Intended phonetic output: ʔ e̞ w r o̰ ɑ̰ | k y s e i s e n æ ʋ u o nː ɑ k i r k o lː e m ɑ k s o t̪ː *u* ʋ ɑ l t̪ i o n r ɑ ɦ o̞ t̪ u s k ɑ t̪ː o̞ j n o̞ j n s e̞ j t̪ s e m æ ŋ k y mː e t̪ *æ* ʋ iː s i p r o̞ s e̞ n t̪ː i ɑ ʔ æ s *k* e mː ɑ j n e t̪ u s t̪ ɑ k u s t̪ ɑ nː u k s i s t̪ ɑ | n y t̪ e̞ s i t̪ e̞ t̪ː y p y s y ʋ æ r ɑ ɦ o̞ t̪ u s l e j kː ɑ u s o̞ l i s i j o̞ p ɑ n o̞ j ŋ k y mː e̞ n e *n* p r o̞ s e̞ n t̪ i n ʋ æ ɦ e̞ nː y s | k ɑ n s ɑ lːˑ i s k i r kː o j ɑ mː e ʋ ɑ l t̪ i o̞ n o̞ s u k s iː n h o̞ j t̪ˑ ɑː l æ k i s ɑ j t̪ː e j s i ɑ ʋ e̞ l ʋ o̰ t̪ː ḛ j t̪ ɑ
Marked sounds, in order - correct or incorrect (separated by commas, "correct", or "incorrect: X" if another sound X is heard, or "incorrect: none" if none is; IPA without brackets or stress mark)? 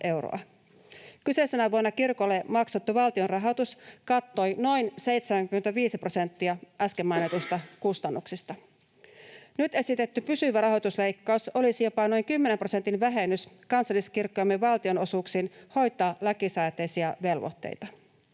correct, correct, correct, incorrect: m